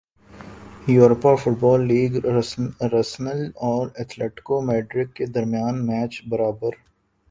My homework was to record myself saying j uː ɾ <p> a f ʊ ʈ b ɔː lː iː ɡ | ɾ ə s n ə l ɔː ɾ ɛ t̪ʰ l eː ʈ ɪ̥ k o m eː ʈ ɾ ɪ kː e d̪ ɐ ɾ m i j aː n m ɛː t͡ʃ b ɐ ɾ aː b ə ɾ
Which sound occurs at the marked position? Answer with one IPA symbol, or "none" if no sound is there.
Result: p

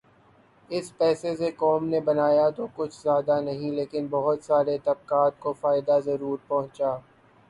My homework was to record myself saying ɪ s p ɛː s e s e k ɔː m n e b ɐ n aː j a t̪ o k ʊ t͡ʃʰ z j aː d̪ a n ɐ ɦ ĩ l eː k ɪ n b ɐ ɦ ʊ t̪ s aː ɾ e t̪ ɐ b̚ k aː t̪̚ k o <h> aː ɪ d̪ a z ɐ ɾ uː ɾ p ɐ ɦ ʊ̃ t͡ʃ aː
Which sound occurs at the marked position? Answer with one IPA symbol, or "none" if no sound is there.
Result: f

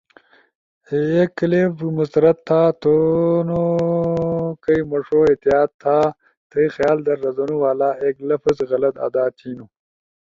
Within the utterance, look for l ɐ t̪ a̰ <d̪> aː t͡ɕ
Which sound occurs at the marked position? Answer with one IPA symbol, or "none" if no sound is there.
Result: d̪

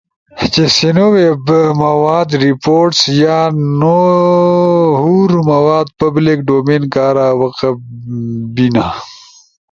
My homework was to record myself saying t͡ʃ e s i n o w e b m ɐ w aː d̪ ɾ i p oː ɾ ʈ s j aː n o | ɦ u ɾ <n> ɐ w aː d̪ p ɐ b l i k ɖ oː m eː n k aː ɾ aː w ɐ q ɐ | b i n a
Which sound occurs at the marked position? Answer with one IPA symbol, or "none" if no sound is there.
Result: m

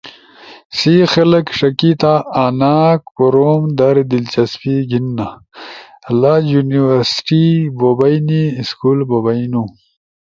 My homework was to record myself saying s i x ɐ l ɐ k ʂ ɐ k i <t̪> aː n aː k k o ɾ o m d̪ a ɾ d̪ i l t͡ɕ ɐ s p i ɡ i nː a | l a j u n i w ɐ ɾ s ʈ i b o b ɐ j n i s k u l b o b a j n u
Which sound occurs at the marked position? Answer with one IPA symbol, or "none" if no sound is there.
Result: t̪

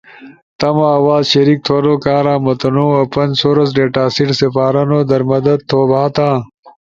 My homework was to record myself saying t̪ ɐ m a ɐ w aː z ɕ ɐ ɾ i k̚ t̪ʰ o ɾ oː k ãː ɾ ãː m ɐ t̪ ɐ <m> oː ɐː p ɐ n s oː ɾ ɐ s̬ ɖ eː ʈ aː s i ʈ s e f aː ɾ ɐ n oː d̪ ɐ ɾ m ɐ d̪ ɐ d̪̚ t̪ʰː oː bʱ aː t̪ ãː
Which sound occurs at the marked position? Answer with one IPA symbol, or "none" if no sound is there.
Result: n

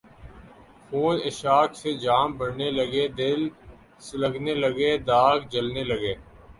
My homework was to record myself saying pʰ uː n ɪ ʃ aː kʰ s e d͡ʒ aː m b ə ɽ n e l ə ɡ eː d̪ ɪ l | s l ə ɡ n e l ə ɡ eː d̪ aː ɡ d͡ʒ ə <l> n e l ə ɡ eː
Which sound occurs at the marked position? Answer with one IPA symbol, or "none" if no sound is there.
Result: l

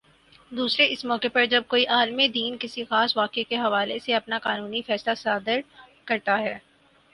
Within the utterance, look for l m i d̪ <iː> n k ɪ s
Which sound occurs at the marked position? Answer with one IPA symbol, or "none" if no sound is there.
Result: iː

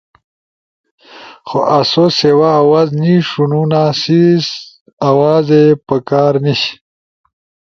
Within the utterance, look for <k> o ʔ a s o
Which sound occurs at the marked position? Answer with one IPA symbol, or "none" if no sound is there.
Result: x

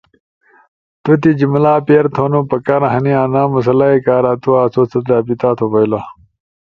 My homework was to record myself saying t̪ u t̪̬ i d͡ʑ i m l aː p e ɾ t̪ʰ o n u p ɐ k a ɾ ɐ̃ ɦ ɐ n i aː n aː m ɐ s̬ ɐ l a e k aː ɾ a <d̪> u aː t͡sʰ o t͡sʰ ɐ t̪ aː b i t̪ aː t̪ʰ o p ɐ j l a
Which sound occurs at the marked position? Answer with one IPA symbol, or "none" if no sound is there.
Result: t̪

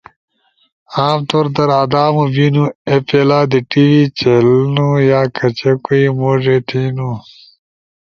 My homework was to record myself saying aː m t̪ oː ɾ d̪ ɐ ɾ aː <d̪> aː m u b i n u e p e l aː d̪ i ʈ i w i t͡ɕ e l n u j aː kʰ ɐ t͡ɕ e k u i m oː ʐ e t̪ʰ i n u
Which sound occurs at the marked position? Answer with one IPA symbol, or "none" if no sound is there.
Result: d̪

